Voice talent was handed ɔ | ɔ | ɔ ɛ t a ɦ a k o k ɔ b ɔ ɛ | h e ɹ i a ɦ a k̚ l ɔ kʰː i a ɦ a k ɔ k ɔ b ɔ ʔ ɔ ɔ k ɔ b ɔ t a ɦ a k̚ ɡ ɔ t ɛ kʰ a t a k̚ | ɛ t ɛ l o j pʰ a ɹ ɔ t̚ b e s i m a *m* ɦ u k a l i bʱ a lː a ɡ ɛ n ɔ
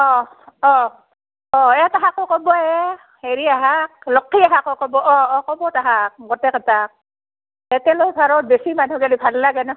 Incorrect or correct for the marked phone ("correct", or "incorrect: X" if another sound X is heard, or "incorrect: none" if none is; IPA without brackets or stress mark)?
incorrect: n